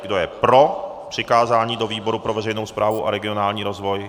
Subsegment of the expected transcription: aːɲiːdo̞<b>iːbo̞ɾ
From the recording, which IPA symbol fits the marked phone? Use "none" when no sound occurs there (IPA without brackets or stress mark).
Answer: v